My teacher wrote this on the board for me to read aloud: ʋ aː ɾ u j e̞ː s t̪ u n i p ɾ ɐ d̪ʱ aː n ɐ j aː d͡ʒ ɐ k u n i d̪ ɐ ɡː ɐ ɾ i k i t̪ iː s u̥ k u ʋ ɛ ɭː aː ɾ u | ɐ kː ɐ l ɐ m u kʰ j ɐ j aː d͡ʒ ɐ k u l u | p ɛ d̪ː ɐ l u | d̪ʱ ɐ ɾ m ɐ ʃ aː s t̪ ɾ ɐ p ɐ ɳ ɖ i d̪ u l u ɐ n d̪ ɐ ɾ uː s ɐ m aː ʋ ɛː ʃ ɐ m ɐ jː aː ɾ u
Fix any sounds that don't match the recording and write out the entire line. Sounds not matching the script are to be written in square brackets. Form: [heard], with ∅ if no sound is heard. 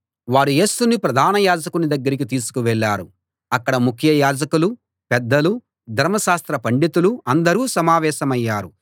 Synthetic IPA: ʋ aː ɾ u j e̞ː s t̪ u n i p ɾ ɐ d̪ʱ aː n ɐ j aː d͡ʒ ɐ k u n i d̪ ɐ ɡː ɐ ɾ i k i t̪ iː s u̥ k u ʋ ɛ ɭː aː ɾ u | ɐ kː ɐ [ɽ] ɐ m u kʰ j ɐ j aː d͡ʒ ɐ k u l u | p ɛ d̪ː ɐ l u | d̪ʱ ɐ ɾ m ɐ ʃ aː s t̪ ɾ ɐ p ɐ ɳ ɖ i [t̪] u l u ɐ n d̪ ɐ ɾ uː s ɐ m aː ʋ ɛː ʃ ɐ m ɐ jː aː ɾ u